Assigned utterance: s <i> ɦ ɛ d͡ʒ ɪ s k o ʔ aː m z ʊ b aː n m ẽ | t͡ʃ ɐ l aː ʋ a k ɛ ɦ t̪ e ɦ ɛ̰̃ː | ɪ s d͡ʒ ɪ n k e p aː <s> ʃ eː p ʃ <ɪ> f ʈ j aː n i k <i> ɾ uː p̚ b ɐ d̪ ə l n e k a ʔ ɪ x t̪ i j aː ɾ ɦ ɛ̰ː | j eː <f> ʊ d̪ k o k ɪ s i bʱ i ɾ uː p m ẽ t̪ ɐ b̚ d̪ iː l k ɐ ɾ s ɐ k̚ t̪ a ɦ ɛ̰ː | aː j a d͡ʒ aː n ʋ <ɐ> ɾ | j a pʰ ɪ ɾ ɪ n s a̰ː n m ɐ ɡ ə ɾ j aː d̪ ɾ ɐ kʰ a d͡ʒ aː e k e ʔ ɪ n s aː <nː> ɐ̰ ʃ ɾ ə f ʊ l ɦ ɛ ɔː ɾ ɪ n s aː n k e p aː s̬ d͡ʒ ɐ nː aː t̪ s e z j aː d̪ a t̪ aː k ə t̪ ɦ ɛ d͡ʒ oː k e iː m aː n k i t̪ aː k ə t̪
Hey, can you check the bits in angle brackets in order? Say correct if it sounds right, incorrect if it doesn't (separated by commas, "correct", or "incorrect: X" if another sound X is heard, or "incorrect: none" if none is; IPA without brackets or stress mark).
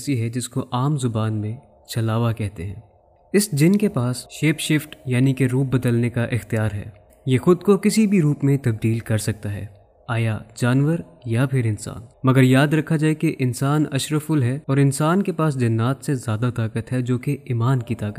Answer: correct, correct, correct, incorrect: e, incorrect: x, incorrect: ə, incorrect: n